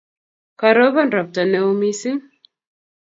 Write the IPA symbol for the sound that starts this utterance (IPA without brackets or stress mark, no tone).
k